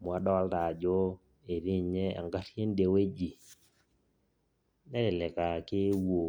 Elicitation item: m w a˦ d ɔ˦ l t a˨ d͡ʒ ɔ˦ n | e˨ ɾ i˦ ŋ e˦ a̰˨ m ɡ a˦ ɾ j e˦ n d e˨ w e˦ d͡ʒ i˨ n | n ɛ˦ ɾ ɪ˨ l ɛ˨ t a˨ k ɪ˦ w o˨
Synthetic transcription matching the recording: m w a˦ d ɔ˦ l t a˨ d͡ʒ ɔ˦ | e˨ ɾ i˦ ɲ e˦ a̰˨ ŋ ɡ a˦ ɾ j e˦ n d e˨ w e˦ d͡ʒ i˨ | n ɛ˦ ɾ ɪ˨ l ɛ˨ k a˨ k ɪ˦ w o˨